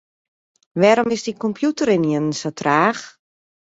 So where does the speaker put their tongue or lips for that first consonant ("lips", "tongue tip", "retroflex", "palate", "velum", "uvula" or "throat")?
lips